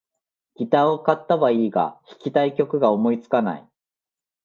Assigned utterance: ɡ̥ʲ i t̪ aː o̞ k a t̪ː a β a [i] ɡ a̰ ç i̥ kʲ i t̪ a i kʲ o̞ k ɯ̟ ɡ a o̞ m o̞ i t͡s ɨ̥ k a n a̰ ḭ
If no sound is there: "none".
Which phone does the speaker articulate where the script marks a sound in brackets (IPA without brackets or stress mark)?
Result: iː